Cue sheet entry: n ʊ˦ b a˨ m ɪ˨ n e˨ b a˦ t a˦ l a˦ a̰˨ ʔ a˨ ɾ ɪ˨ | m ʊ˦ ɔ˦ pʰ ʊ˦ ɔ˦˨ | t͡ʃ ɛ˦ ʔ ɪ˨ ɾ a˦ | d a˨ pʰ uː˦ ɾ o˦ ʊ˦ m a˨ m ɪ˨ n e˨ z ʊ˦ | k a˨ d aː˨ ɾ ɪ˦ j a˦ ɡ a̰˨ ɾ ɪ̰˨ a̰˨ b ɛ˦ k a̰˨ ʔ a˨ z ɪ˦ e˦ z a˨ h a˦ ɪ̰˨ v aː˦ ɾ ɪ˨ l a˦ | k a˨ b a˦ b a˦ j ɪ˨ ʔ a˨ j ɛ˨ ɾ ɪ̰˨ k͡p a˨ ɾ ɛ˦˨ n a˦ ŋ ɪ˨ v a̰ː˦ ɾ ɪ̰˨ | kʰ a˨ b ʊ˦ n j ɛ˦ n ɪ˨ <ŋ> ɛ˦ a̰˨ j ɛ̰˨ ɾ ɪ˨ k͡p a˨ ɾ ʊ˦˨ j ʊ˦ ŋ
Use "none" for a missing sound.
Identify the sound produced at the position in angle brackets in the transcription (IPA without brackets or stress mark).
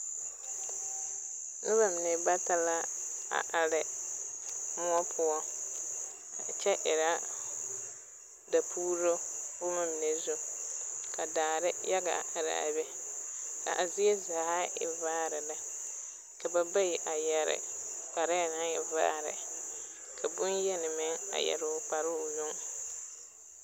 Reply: m